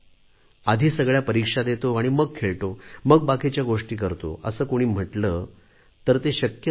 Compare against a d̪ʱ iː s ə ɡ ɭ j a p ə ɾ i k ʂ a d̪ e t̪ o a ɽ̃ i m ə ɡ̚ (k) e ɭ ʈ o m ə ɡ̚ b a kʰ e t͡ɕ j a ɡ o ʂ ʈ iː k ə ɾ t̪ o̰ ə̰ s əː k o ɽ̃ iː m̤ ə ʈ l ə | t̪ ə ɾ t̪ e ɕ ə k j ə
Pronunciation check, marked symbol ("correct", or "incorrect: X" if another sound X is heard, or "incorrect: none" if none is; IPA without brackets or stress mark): incorrect: kʰ